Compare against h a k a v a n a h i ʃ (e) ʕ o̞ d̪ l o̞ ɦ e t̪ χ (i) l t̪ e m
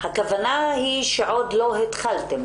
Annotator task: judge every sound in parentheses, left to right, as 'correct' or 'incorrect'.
correct, incorrect: a

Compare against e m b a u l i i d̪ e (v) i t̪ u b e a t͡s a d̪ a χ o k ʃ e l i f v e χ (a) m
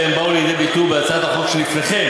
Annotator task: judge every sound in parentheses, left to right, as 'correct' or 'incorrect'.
incorrect: b, incorrect: e

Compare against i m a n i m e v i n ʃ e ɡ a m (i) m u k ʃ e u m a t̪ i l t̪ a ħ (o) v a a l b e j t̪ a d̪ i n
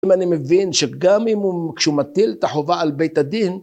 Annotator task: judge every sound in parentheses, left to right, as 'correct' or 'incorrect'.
correct, correct

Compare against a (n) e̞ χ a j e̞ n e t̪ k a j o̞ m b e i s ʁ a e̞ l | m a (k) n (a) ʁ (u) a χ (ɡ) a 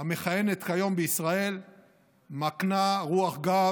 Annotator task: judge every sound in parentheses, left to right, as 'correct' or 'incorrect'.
incorrect: m, correct, correct, correct, correct

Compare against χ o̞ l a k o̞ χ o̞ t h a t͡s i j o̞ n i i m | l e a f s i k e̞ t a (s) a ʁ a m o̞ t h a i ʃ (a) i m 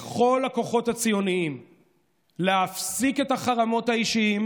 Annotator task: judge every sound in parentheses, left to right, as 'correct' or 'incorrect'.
incorrect: χ, incorrect: i

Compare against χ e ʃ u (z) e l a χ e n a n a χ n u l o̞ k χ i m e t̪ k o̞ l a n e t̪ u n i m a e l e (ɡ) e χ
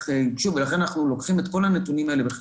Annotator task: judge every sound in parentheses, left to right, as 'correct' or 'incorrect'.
incorrect: v, incorrect: b

